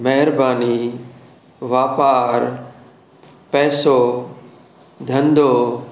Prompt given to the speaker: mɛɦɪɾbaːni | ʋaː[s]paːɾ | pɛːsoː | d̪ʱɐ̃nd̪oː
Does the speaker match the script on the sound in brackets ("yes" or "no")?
no